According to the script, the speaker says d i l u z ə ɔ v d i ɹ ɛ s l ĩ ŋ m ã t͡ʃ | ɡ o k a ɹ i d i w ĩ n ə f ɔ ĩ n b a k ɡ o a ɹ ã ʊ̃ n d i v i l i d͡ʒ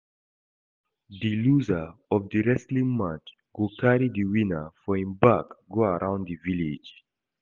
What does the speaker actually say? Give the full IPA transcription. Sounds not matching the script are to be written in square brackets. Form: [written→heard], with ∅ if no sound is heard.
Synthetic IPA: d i l u z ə ɔ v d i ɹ ɛ s l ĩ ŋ m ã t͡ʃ | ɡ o k a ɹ i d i w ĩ n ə f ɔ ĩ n b a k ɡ o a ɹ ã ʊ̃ n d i v i l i d͡ʒ

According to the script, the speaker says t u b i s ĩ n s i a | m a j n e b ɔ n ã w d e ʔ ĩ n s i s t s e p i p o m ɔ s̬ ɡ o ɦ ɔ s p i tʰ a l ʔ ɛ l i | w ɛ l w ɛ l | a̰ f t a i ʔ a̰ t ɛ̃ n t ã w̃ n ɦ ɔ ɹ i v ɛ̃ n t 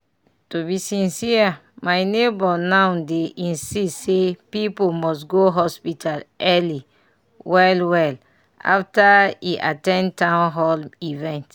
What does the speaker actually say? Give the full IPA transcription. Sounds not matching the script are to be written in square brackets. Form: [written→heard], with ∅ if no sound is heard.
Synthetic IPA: t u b i s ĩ n s i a | m a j n e b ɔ n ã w d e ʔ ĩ n s i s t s e p i p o m ɔ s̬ ɡ o ɦ ɔ s p i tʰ a l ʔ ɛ l i | w ɛ l w ɛ l | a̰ f t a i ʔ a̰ t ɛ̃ n t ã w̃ n ɦ ɔ [ɹ→l] i v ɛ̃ n t

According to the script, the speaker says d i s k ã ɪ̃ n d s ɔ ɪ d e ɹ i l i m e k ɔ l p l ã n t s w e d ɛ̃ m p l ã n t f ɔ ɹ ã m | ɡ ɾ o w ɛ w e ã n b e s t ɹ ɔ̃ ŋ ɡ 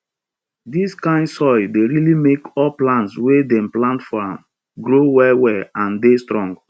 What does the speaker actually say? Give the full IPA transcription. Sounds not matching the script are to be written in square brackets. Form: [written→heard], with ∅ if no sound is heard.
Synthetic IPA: d i s k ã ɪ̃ n d s ɔ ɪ d e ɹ i l i m e k ɔ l p l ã n t s w e d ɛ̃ m p l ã n t f ɔ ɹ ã m | ɡ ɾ o w ɛ w [e→ɛ] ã n [b→d] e s t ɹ ɔ̃ ŋ ɡ

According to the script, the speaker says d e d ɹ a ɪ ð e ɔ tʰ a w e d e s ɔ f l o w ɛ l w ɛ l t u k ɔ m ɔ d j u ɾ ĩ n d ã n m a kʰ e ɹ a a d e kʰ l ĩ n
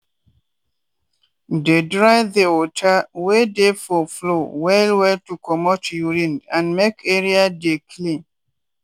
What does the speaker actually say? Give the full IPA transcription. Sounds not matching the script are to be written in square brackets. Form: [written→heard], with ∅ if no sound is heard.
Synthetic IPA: d e d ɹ a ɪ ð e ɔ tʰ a w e d e [s→f] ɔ f l o w ɛ l w ɛ l t u k ɔ m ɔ [d→t] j u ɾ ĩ n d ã n m [a→e] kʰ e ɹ [a→i] a d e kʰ l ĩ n

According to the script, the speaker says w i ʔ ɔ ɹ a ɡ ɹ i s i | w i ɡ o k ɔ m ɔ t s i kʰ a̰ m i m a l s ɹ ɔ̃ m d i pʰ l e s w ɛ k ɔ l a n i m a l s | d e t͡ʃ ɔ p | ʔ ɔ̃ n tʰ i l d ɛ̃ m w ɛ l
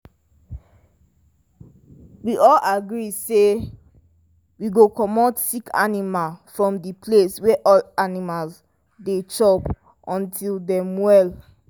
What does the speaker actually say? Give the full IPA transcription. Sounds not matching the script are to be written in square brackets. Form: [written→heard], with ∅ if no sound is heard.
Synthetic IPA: w i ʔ ɔ [ɹ→l] a ɡ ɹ i s [i→e] | w i ɡ o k ɔ m ɔ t s i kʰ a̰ [m→n] i m a l [s→f] ɹ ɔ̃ m d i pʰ l e s w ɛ [k→ʔ] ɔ l a n i m a l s | d e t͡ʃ ɔ p | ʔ ɔ̃ n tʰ i l d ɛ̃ m w ɛ l

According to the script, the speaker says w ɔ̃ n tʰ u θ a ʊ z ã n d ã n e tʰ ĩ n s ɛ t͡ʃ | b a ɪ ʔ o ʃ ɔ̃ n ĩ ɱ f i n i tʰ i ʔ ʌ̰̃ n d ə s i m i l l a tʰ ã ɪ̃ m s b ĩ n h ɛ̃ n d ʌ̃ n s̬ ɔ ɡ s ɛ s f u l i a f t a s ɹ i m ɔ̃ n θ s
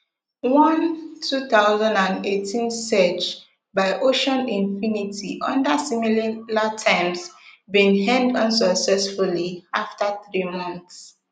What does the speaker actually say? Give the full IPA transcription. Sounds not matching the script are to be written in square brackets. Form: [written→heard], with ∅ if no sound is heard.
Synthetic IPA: w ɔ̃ n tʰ u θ a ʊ z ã n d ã n e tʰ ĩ n s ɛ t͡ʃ | b a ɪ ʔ o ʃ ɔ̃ n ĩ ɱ f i n i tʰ i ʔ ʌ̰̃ n d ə s i m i l l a tʰ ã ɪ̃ m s b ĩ n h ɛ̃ n d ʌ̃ n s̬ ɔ [ɡ→k] s ɛ s f u l i a f t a [s→θ] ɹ i m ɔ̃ n θ s

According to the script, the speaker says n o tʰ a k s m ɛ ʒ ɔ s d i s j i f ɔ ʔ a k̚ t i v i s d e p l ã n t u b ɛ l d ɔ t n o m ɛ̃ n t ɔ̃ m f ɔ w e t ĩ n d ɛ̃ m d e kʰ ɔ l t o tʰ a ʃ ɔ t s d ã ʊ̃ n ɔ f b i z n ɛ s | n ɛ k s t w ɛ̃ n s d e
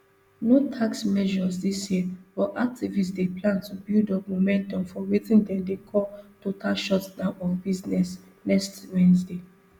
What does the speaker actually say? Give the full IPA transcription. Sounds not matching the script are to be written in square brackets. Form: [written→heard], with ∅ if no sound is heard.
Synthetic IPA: n o tʰ a k s m ɛ ʒ ɔ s d i s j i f ɔ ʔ a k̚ t i v i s d e p l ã n t u b [ɛ→i] l d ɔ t [n→m] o m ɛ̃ n t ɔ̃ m f ɔ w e t ĩ n d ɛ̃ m d e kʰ ɔ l t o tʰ a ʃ ɔ t s d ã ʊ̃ n ɔ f b i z n ɛ s | n ɛ k s t w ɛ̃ n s d e

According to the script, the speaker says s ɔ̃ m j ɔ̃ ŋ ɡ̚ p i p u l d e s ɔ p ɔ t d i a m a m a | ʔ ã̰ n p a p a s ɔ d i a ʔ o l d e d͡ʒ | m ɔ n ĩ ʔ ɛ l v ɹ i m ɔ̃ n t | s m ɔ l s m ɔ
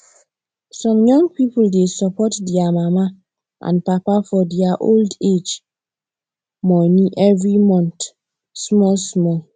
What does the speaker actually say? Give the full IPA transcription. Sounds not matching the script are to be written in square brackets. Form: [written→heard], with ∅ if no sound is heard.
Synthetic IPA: s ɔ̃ m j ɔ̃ ŋ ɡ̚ p i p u l d e s ɔ p ɔ t d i a m a m a | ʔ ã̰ n p a p a [s→f] ɔ d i a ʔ o l d e d͡ʒ | m ɔ n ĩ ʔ ɛ [l→∅] v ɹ i m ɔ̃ n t | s m ɔ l s m ɔ

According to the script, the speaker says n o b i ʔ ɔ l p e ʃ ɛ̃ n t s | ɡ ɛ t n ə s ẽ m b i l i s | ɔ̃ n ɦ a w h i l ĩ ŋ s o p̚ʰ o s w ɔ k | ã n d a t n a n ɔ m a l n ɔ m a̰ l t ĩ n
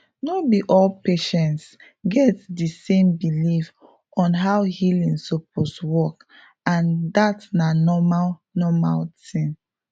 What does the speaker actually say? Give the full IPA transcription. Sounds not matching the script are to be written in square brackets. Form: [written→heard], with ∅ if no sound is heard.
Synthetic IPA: n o b i ʔ ɔ l p e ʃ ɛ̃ n t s | ɡ ɛ t [n→d] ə s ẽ m b i l i [s→f] | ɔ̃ n ɦ a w h i l ĩ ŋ s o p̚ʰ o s w ɔ k | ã n d a t n a n ɔ m a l n ɔ m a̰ l t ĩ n

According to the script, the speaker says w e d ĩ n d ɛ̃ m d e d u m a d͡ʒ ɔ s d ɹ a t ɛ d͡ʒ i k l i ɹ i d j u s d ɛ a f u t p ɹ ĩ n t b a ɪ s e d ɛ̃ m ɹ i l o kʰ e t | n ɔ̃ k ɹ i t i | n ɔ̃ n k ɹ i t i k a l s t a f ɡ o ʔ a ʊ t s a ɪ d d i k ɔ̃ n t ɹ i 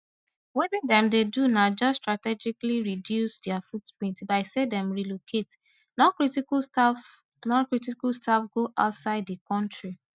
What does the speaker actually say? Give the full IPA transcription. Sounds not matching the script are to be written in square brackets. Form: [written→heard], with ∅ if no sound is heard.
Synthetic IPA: w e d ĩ n d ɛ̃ m d e d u [m→n] a d͡ʒ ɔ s [d→t] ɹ a t ɛ d͡ʒ i k l i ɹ i d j u s d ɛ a f u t p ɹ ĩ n t b a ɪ s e d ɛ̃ m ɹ i l o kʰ e t | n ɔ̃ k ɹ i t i | n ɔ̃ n k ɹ i t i k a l s t a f ɡ o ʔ a ʊ t s a ɪ d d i k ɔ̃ n t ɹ i

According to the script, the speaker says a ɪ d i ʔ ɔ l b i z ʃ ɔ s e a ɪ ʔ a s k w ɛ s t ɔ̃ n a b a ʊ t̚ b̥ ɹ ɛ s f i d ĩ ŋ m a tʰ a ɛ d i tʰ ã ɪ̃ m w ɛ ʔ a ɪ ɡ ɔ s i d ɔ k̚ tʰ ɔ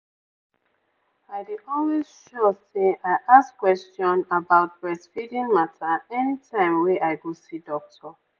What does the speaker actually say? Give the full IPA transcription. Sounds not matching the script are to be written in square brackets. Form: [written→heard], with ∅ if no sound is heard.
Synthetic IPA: a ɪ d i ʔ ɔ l [b→w] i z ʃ ɔ s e a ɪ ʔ a s k w ɛ s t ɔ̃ n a b a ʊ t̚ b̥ ɹ ɛ s f i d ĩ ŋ m a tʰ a ɛ [d→n] i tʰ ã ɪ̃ m w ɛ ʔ a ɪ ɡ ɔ s i d ɔ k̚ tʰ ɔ

